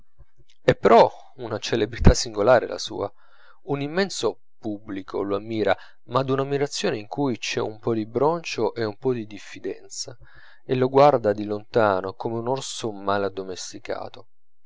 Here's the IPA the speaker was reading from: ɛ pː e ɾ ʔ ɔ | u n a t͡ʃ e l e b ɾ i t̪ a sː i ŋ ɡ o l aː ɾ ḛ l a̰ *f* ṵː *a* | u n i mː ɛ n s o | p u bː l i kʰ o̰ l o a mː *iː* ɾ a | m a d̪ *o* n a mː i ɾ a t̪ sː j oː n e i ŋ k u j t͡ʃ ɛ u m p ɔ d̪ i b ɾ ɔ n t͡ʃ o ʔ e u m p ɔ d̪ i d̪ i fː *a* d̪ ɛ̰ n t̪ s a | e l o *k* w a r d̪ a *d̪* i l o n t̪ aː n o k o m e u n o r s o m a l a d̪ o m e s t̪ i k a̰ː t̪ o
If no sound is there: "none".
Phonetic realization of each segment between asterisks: s, a, iː, u, i, ɡ, d̪

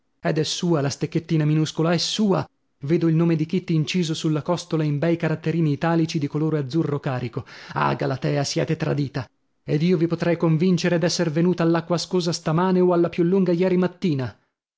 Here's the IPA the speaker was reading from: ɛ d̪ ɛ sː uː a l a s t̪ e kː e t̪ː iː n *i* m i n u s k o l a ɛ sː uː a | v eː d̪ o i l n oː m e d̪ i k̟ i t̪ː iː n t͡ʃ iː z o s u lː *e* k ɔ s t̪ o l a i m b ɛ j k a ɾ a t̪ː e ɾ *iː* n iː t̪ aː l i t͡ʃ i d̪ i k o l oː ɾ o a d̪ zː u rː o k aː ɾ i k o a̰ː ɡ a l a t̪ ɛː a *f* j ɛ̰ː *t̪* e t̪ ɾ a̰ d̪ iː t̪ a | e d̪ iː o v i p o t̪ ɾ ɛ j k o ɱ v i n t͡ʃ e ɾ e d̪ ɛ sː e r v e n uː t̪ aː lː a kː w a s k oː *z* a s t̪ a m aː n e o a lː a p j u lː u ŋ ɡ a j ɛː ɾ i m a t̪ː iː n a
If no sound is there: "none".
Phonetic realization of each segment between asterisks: a, a, iː, s, t̪, z

